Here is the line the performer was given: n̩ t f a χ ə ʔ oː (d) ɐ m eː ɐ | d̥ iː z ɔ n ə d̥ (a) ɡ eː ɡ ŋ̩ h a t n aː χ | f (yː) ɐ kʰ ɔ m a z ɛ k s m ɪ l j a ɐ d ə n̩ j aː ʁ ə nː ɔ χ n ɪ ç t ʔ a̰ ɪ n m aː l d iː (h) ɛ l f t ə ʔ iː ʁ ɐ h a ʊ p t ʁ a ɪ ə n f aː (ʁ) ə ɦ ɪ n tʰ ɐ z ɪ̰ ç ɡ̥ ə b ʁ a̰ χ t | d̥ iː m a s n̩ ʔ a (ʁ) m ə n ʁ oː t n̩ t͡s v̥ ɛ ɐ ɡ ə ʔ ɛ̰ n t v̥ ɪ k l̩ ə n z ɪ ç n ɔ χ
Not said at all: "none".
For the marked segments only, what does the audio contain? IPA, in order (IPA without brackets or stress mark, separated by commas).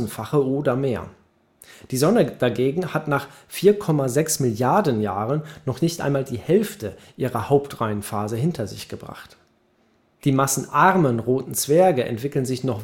d, a, iː, h, z, ʁ